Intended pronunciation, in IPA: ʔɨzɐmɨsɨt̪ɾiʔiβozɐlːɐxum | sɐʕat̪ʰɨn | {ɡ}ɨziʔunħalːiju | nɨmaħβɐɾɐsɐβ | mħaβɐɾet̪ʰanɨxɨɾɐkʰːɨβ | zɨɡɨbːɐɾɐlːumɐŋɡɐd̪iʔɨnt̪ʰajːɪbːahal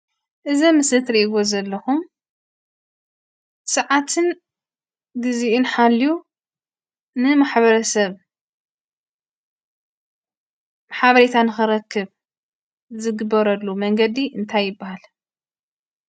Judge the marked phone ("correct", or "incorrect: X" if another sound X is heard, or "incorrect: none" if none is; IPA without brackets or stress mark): correct